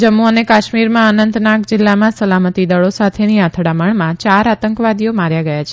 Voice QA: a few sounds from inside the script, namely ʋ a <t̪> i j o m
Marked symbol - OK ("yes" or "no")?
no